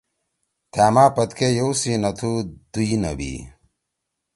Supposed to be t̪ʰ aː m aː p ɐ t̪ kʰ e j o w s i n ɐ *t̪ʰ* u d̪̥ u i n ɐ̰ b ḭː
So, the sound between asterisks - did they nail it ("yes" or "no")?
yes